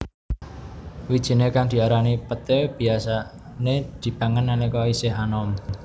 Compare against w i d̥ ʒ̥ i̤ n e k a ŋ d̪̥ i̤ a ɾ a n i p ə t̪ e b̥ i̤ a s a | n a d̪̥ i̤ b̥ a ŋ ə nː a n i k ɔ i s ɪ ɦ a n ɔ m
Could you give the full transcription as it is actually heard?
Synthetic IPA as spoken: w i d̥ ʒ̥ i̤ n e k a ŋ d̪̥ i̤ a ɾ a n i p ə t̪ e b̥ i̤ a s a | n e d̪̥ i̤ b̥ a ŋ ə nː a n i k ɔ i s ɪ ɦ a n ɔ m